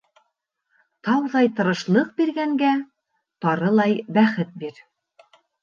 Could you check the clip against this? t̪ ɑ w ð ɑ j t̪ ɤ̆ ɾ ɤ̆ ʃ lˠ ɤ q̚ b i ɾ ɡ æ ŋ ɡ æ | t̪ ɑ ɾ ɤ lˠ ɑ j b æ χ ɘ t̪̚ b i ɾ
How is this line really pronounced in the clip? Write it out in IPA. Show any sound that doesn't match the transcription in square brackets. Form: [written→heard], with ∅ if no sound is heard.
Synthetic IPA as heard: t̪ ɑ w ð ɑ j t̪ ɤ̆ ɾ ɤ̆ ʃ lˠ ɤ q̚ b i ɾ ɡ æ ŋ ɡ æ | t̪ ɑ ɾ ɤ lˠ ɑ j b æ χ ɘ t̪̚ b i ɾ